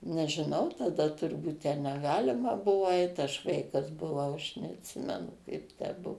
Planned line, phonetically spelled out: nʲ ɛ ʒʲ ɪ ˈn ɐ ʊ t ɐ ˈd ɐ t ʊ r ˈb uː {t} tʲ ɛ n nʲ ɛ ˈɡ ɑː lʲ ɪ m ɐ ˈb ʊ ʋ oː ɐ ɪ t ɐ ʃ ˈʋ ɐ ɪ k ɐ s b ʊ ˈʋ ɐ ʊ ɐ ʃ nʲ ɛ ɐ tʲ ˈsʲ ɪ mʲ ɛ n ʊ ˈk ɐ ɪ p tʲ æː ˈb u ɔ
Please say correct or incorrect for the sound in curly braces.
correct